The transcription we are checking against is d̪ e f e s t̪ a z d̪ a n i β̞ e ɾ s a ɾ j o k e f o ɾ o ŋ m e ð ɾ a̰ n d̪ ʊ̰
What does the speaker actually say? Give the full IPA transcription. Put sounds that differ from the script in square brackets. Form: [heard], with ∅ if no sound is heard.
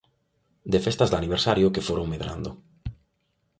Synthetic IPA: d̪ e f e s t̪ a z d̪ a n i β̞ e ɾ s a ɾ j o k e f o ɾ o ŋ m e ð ɾ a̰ n d̪ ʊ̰